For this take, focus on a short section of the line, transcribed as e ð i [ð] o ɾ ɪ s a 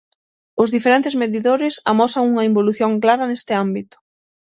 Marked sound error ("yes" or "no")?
no